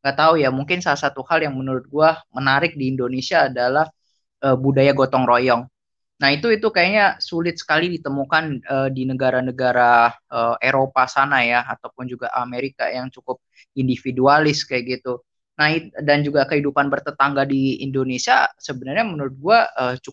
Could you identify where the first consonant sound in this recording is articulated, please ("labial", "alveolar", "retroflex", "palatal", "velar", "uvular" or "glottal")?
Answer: velar